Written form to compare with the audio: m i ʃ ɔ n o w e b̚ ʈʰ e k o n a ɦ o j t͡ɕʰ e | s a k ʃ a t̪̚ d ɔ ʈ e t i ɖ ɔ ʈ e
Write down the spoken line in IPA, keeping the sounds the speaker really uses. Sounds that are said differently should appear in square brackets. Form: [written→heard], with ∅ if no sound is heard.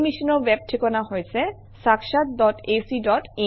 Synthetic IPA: m i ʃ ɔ n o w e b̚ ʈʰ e k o n a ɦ o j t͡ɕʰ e | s a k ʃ a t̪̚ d ɔ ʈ e [t→s] i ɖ ɔ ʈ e